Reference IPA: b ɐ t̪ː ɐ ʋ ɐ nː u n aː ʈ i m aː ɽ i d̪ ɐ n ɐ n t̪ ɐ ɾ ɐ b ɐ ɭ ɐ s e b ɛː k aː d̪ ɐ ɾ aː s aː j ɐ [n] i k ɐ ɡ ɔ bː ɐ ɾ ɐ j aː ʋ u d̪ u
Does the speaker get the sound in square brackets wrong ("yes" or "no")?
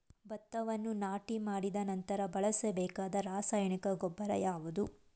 yes